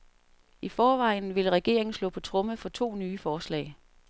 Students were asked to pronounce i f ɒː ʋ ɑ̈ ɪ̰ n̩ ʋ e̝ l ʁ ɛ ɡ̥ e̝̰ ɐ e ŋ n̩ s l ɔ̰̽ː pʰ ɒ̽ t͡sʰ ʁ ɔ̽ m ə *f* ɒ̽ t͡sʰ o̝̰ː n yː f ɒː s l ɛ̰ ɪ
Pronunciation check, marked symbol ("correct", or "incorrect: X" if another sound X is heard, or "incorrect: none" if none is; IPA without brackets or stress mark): correct